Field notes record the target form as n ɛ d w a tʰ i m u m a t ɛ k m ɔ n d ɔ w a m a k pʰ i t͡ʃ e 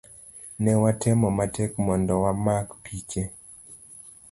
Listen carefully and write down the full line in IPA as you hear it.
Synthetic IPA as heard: n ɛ w a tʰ ɛ m ɔ m a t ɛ k m ɔ n d ɔ w a m a k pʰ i t͡ʃ e